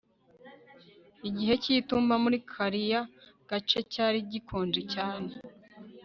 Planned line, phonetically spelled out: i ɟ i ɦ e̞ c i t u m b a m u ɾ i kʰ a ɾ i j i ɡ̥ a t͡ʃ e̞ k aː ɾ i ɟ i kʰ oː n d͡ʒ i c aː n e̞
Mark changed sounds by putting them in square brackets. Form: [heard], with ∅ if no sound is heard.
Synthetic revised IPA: i ɟ i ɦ e̞ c i t u m b a m u ɾ i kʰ a ɾ i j [a] ɡ̥ a t͡ʃ e̞ [c] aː ɾ i ɟ i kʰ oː n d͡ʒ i c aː n e̞